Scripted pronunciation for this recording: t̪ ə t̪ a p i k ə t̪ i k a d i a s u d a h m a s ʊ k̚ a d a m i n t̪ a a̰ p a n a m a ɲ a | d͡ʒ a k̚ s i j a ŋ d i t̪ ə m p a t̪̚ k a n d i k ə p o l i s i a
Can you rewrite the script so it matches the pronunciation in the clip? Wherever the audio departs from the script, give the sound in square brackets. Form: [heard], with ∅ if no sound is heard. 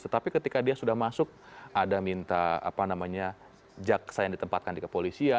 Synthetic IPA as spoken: t̪ ə t̪ a p i k ə t̪ i k a d i a s u d a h m a s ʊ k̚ a d a m i n t̪ a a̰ p a n a m a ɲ a | d͡ʒ a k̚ s [a] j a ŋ d i t̪ ə m p a t̪̚ k a n d i k ə p o l i s i a

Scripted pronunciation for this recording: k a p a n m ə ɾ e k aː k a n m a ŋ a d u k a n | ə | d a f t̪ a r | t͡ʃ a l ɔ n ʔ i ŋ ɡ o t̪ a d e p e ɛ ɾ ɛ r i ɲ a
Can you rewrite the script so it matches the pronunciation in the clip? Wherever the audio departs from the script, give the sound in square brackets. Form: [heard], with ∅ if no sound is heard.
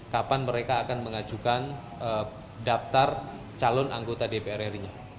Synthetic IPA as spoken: k a p a n m ə ɾ e k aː k a n m [ə] ŋ a [d͡ʒ] u k a n | ə | d a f t̪ a r | t͡ʃ a l ɔ n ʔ [a] ŋ ɡ o t̪ a d e p e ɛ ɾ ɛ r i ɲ a

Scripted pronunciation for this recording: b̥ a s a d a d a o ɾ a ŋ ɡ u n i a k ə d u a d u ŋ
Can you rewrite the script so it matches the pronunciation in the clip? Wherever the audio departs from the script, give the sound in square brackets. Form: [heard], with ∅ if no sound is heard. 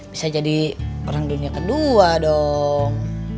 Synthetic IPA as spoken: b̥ [i] s a [d͡ʒ] a d [i] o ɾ a ŋ [d] u n i a k ə d u a d [ɔ] ŋ

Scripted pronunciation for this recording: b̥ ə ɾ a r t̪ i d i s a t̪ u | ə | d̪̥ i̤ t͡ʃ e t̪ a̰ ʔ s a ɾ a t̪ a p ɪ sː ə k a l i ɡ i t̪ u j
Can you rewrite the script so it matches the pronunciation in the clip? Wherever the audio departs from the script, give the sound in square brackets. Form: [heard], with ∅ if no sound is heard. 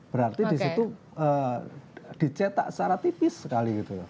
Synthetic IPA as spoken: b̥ ə ɾ a r t̪ i d i s [i] t̪ u | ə | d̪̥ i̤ t͡ʃ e t̪ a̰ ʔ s a ɾ a t̪ [i] p ɪ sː ə k a l i ɡ i t̪ u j

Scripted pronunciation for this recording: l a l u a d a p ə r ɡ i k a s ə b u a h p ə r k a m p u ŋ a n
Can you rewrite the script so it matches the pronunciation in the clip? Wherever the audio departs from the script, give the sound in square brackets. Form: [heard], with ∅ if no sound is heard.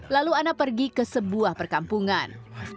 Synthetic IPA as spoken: l a l u a [n] a p ə r ɡ i k [ə] s ə b u a h p ə r k a m p u ŋ a n

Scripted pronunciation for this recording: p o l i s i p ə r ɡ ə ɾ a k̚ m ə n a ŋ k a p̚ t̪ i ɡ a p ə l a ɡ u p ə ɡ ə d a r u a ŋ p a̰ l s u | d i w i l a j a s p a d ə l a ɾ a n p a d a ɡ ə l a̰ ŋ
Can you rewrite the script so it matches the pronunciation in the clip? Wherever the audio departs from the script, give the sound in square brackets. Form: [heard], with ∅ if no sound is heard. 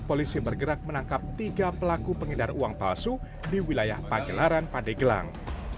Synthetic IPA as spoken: p o l i s i [b] ə r ɡ ə ɾ a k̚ m ə n a ŋ k a p̚ t̪ i ɡ a p ə l a [k] u p ə [ŋ] ə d a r u a ŋ p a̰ l s u | d i w i l a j a [h] p a [ɡ] ə l a ɾ a n p a d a ɡ ə l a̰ ŋ

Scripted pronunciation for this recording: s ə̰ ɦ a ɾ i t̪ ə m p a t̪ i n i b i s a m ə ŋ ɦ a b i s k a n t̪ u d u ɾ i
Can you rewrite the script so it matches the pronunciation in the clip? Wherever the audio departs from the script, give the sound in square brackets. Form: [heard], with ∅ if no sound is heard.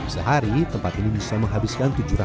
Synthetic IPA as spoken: s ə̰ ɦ a ɾ i t̪ ə m p a t̪ i n i b i s a m ə ŋ ɦ a b i s k a n t̪ u [d͡ʒ] u ɾ [a]

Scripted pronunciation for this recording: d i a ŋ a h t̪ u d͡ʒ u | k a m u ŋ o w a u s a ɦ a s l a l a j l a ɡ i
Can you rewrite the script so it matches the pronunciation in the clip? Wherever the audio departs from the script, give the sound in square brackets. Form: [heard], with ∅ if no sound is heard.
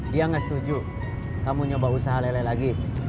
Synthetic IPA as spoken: d i a ŋ a [s] t̪ u d͡ʒ u | k a m u [ɲ] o [b] a u s a ɦ a [∅] l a l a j l a ɡ i

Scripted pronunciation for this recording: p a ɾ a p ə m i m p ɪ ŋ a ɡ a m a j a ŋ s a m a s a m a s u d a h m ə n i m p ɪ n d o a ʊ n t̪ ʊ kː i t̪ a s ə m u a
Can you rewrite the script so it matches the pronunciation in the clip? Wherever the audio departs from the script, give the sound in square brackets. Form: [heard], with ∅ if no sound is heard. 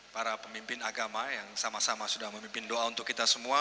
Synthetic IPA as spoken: p a ɾ a p ə m i m p ɪ [n] a ɡ a m a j a ŋ s a m a s a m a s u d a h m ə [m] i m p ɪ n d o a [u] n t̪ ʊ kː i t̪ a s ə m u a

